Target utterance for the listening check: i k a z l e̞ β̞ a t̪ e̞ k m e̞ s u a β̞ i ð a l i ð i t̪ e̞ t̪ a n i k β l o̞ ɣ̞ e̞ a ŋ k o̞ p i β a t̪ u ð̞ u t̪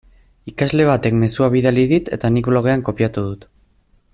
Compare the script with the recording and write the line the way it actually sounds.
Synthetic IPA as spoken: i k a z l e̞ β̞ a t̪ e̞ k m e̞ s u a β̞ i ð a l i ð i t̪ e̞ t̪ a n i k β l o̞ ɣ̞ e̞ a ŋ k o̞ p i a t̪ u ð̞ u t̪